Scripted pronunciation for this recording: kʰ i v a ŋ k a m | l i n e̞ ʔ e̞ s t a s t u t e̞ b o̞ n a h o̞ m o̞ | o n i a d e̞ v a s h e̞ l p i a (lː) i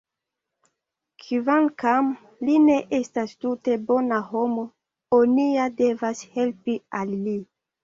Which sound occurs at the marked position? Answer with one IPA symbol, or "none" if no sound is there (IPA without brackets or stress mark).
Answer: lː